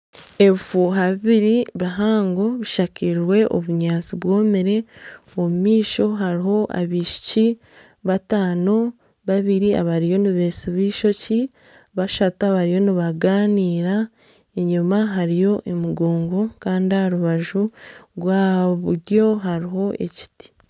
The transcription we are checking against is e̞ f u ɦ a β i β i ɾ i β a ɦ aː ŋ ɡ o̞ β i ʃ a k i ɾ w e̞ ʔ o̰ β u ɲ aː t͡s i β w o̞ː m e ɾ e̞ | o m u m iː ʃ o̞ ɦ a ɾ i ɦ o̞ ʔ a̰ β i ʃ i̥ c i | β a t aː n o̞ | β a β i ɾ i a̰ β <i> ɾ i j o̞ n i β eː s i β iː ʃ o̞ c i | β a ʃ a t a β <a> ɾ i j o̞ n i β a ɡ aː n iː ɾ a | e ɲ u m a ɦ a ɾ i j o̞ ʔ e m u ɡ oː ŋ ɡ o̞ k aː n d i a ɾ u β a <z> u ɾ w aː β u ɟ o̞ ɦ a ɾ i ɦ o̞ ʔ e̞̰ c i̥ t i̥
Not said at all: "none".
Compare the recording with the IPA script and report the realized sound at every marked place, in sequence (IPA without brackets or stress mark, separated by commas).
a, a, ʒ